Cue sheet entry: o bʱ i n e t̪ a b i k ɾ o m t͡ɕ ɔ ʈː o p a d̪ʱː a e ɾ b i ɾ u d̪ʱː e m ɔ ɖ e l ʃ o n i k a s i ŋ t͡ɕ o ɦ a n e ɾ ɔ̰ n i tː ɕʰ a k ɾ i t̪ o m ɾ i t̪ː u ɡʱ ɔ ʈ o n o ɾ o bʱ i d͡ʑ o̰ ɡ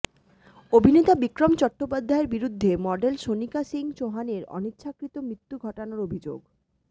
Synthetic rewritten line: o bʱ i n e t̪ a b i k ɾ o m t͡ɕ ɔ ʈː o p a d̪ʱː a e ɾ b i ɾ u d̪ʱː e m ɔ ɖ e l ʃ o n i k a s i ŋ t͡ɕ o ɦ a n e ɾ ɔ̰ n i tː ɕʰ a k ɾ i t̪ o m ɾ i t̪ː u ɡʱ ɔ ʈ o n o ɾ o bʱ i d͡ʑ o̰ ɡ